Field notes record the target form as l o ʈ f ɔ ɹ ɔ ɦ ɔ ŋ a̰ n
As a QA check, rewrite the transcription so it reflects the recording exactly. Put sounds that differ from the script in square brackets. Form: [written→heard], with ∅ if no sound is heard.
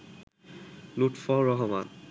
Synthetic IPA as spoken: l [o→u] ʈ f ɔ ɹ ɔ ɦ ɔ [ŋ→m] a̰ n